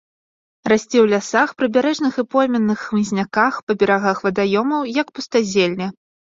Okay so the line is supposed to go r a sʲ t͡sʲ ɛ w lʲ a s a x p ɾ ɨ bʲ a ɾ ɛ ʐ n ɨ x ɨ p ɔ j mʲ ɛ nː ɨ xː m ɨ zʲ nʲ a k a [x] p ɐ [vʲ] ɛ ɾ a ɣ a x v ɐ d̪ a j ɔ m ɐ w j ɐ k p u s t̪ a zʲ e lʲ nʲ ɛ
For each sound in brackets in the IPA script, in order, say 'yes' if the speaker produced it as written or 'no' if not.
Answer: yes, no

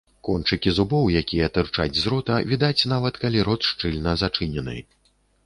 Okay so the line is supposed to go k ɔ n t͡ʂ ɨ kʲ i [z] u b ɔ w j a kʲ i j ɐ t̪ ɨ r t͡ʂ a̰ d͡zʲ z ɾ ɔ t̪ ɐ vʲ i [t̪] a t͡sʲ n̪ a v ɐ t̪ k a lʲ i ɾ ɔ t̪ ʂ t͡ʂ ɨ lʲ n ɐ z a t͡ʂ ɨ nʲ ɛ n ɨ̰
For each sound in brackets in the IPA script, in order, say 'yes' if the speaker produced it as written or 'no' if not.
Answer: yes, no

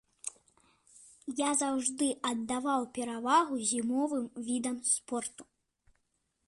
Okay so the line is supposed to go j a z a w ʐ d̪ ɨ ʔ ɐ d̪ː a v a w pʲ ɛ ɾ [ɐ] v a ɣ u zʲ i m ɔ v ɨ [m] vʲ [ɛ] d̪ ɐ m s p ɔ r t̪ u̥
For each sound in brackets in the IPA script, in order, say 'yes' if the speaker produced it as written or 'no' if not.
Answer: no, yes, no

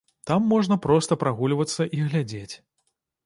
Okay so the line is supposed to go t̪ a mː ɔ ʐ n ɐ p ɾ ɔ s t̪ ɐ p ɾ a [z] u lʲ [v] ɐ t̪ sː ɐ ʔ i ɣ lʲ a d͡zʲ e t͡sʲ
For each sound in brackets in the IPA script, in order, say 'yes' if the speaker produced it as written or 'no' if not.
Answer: no, yes

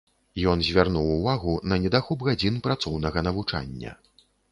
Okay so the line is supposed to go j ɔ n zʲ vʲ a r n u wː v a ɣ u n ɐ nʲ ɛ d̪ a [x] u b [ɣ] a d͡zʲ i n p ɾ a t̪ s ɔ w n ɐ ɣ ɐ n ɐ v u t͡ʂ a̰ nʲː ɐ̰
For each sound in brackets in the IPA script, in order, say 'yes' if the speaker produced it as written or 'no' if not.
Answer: yes, yes

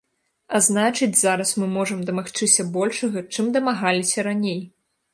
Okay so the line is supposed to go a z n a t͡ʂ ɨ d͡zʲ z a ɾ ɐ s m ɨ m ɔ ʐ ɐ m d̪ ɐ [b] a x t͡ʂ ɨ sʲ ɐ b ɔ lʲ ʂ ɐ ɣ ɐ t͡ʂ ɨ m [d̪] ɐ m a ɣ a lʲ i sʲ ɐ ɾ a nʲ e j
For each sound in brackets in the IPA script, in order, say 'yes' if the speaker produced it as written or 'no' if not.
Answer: no, yes

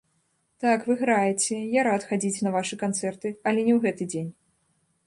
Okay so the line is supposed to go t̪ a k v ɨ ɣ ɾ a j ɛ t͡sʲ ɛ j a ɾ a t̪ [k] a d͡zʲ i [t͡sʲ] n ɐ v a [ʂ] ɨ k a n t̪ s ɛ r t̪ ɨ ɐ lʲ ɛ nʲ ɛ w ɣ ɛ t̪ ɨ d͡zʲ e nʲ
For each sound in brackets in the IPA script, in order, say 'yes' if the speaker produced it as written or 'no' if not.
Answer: no, yes, yes

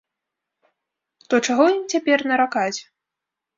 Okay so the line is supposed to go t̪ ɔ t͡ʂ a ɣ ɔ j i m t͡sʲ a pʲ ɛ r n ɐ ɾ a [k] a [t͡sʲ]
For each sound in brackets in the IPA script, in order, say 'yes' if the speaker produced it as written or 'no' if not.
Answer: yes, yes

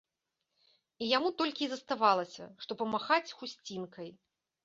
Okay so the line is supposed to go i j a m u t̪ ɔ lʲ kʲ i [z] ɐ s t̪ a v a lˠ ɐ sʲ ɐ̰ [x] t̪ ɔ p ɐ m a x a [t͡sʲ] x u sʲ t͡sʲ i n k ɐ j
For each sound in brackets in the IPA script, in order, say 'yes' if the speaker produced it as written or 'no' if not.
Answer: yes, no, yes

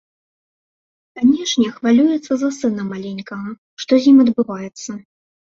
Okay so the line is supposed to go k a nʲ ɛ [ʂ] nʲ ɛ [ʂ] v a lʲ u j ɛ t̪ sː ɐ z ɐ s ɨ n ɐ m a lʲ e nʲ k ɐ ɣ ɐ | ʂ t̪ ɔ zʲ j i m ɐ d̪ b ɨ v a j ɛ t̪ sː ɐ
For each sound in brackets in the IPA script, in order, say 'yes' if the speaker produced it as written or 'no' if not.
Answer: yes, no

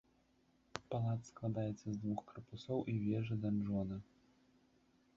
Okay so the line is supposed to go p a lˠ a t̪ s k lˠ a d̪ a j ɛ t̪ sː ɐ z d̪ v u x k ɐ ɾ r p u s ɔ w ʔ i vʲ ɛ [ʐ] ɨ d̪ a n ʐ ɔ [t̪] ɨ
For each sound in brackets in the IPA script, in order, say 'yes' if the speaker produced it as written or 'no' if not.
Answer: yes, no

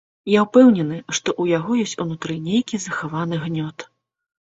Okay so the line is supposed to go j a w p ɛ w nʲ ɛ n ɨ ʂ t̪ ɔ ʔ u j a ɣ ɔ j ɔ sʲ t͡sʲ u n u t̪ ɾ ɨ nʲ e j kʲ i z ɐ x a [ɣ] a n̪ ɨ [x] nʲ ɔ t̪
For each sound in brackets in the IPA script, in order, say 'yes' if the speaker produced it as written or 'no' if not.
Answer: no, no

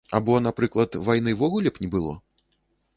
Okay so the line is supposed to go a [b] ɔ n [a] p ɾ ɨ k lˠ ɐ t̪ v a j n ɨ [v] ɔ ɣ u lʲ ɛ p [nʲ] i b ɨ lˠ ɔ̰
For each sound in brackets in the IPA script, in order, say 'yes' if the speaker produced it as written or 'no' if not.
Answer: yes, yes, yes, yes

